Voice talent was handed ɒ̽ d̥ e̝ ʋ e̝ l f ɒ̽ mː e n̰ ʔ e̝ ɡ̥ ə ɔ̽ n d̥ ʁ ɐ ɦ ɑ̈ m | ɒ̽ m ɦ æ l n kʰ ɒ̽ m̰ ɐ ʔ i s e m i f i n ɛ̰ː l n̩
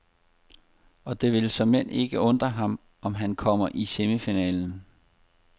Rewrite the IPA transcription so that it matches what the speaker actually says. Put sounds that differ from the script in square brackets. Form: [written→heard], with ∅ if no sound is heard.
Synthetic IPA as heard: ɒ̽ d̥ e̝ ʋ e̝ l [f→s] ɒ̽ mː e n̰ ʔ e̝ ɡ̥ ə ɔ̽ n d̥ ʁ ɐ ɦ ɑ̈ m | ɒ̽ m ɦ æ [l→∅] n kʰ ɒ̽ m̰ ɐ ʔ i s e m i f i n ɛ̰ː l n̩